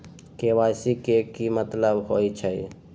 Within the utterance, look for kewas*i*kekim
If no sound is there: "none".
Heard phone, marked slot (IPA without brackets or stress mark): i